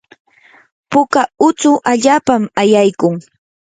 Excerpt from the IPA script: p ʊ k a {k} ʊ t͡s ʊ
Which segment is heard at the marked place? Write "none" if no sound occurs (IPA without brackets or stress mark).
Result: none